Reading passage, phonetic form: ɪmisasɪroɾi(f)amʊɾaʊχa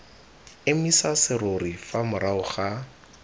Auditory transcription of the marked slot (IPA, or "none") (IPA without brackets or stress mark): f